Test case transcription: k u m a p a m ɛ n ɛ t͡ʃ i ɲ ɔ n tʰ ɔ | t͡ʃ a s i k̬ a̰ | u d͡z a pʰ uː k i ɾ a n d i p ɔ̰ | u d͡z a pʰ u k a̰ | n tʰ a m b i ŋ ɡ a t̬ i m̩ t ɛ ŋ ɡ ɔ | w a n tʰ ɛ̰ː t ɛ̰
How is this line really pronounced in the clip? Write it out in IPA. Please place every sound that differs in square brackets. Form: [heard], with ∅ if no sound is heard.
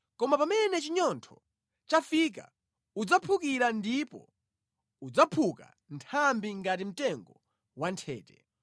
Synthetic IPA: k [ɔ] m a p a m ɛ n ɛ t͡ʃ i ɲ ɔ n tʰ ɔ | t͡ʃ a [f] i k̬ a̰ | u d͡z a pʰ [u] k i ɾ a n d i p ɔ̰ | u d͡z a pʰ u k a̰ | n tʰ a m b i ŋ ɡ a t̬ i m̩ t ɛ ŋ ɡ ɔ | w a n tʰ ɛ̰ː t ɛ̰

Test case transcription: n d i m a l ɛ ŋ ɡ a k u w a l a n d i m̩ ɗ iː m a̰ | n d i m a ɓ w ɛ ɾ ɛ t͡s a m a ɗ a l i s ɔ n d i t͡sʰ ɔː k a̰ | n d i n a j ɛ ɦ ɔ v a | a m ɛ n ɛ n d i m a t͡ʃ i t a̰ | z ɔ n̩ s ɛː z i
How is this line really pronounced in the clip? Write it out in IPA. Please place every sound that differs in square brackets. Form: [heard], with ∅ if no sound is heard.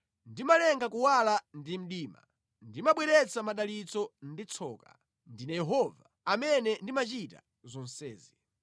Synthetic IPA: n d i m a l ɛ ŋ ɡ a k u w a l a n d i m̩ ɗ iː m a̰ | n d i m a ɓ w ɛ ɾ ɛ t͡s a m a ɗ a l i [t͡s] ɔ n d i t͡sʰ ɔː k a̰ | n d i n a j ɛ ɦ ɔ v a | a m ɛ n ɛ n d i m a t͡ʃ i t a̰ | z ɔ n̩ s ɛː z i

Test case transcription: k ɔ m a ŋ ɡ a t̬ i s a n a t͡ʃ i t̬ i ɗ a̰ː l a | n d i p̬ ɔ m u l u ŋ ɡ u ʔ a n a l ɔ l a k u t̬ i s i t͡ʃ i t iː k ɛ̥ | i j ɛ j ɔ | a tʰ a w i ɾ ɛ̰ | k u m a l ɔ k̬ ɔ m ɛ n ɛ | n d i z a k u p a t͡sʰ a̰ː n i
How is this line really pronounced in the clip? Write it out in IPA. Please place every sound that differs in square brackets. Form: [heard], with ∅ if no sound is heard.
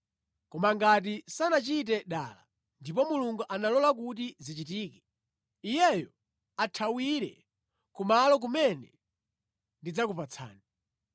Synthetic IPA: k ɔ m a ŋ ɡ a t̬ i s a n a t͡ʃ i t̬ [ɛ] ɗ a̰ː l a | n d i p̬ ɔ m u l u ŋ ɡ u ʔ a n a l ɔ l a k u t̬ i [z] i t͡ʃ i t iː k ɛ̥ | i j ɛ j ɔ | a tʰ a w i ɾ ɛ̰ | k u m a l ɔ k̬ [u] m ɛ n ɛ | n d i [d͡z] a k u p a t͡sʰ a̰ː n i

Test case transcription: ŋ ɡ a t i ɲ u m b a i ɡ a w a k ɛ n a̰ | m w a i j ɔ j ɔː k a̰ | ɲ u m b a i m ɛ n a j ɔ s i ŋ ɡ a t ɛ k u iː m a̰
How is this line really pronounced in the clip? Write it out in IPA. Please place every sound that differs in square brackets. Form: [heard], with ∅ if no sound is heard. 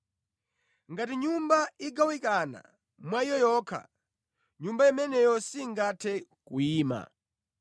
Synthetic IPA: ŋ ɡ a t i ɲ u m b a i ɡ a w [i] k [a] n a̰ | m w a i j ɔ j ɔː [kʰ] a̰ | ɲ u m b a i m ɛ n [ɛ] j ɔ s i ŋ ɡ a [tʰ] ɛ k u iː m a̰

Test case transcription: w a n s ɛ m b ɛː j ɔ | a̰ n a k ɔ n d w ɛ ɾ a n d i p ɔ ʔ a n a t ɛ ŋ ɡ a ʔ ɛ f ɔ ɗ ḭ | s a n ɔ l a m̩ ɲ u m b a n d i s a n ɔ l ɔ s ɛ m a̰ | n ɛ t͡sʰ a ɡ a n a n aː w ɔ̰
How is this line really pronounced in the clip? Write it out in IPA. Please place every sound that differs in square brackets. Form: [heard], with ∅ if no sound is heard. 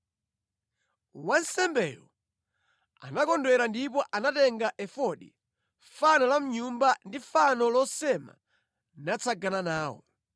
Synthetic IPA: w a n s ɛ m b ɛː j ɔ | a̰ n a k ɔ n d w ɛ ɾ a n d i p ɔ ʔ a n a t ɛ ŋ ɡ a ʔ ɛ f ɔ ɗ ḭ | [f] a n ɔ l a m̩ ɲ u m b a n d i [f] a n ɔ l ɔ s ɛ m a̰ | n [a] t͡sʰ a ɡ a n a n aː w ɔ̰

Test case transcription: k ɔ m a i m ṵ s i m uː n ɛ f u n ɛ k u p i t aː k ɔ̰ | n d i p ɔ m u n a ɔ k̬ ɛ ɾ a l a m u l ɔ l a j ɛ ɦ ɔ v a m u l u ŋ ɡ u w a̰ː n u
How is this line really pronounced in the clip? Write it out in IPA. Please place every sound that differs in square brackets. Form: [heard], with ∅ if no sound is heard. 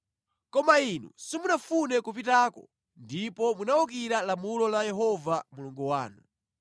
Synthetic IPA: k ɔ m a i [n] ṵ s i m [u] n [a] f u n ɛ k u p i t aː k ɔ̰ | n d i p ɔ m u n a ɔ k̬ [i] ɾ a l a m u l ɔ l a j ɛ ɦ ɔ v a m u l u ŋ ɡ u w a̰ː n u

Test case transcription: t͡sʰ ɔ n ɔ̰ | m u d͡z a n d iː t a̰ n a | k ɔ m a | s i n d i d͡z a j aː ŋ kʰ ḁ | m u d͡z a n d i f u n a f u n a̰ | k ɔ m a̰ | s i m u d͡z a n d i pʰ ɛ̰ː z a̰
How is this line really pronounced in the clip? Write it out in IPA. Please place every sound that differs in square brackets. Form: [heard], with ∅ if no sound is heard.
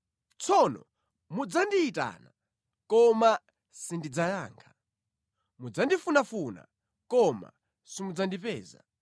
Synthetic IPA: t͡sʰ ɔ n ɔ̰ | m u d͡z a n d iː t a̰ n a | k ɔ m a | s i n d i d͡z a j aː ŋ kʰ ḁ | m u d͡z a n d i f u n a f u n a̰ | k ɔ m a̰ | s i m u d͡z a n d i [p] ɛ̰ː z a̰

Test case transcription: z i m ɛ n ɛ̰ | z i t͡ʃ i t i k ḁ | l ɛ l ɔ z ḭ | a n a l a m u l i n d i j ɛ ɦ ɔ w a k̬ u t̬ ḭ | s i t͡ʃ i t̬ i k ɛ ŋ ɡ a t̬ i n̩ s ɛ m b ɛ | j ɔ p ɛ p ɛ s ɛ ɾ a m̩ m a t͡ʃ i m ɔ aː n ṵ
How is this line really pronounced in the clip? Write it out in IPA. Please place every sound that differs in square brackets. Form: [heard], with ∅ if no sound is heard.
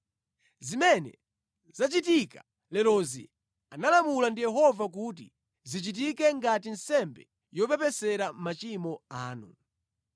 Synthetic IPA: z i m ɛ n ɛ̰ | z [a] t͡ʃ i t i k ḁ | l ɛ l ɔ z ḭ | a n a l a m u l [a] n d i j ɛ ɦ ɔ [v] a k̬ u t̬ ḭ | [z] i t͡ʃ i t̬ i k ɛ ŋ ɡ a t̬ i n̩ s ɛ m b ɛ | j ɔ p ɛ p ɛ s ɛ ɾ a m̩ m a t͡ʃ i m ɔ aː n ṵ

